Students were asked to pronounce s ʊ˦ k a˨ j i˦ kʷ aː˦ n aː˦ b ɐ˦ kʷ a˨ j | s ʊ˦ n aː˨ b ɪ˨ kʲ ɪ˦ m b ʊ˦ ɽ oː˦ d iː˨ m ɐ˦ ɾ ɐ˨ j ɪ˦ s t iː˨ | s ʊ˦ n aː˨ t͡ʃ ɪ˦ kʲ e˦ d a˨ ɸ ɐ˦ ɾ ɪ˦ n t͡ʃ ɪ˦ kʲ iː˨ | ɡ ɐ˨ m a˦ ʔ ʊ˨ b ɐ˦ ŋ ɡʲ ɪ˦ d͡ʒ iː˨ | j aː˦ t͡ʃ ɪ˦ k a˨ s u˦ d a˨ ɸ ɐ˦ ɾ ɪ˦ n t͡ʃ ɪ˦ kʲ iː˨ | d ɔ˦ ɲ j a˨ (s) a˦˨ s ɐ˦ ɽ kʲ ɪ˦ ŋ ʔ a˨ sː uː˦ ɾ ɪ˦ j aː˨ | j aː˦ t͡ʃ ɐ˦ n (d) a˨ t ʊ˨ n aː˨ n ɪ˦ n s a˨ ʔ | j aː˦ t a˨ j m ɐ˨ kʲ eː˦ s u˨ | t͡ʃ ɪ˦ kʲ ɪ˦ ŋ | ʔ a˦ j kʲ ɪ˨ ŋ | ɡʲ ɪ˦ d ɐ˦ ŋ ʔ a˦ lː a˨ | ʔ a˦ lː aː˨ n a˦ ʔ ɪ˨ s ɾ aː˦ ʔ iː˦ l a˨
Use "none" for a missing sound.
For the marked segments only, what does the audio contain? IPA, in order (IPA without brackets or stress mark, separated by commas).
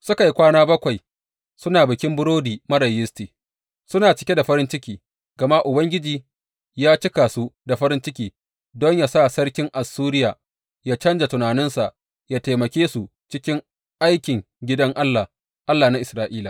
s, d͡ʒ